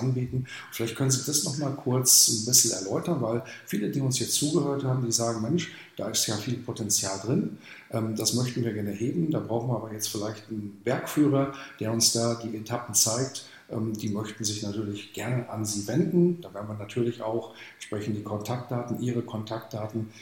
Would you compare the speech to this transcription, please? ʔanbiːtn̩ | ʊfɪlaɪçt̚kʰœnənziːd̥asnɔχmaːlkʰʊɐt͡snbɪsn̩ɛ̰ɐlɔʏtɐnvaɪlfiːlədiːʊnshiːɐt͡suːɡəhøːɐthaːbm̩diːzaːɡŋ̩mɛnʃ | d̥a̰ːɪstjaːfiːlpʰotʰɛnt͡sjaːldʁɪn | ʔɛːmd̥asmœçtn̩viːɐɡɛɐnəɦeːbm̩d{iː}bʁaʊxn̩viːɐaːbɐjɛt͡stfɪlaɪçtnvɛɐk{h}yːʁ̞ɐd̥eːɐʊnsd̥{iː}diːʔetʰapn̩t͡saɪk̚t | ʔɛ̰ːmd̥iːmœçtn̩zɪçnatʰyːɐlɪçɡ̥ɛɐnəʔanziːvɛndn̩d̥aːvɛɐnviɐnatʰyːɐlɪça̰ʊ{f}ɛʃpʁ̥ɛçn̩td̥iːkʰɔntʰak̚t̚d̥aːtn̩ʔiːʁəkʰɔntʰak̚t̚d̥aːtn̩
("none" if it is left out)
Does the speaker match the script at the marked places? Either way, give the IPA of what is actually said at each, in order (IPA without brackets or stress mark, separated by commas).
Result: aː, f, aː, x